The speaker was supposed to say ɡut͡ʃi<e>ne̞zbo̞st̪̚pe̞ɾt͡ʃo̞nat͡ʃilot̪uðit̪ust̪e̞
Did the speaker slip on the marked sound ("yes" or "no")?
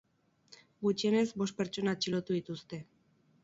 no